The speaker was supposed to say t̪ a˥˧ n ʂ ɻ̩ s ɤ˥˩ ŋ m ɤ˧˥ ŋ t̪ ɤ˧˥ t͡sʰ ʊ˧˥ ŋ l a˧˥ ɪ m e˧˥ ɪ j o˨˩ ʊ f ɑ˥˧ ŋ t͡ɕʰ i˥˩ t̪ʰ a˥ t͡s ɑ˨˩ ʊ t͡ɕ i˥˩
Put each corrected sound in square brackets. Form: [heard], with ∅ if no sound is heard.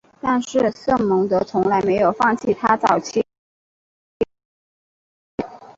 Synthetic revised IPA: t̪ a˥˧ n ʂ ɻ̩ s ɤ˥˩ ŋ m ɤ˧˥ ŋ t̪ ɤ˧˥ t͡sʰ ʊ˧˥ ŋ l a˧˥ ɪ m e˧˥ ɪ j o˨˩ ʊ f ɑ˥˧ ŋ t͡ɕʰ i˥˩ t̪ʰ a˥ t͡s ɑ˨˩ ʊ [t͡ɕʰ] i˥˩